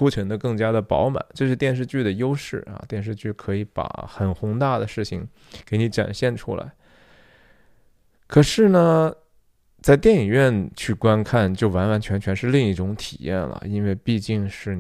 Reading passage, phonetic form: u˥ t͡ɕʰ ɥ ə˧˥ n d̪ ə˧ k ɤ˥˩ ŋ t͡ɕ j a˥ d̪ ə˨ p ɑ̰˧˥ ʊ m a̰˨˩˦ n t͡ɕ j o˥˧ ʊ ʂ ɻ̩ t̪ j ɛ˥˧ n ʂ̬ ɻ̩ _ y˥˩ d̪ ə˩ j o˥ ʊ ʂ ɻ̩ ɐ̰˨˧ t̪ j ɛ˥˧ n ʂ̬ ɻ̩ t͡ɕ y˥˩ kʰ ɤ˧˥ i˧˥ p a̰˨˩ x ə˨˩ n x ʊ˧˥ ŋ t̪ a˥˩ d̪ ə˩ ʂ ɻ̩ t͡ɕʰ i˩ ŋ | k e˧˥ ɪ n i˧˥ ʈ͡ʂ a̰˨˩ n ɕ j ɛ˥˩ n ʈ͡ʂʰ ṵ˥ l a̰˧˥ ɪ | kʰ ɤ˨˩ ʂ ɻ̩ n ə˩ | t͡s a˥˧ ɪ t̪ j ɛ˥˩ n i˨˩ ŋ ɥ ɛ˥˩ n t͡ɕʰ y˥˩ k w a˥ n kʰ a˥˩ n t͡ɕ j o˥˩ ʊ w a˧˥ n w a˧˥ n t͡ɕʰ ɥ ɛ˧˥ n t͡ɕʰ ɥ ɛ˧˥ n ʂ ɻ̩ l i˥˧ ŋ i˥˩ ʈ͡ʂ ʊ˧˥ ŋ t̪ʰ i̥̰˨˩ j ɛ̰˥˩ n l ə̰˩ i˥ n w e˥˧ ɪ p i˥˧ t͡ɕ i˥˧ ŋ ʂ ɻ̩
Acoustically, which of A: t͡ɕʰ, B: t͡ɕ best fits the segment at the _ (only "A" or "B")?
B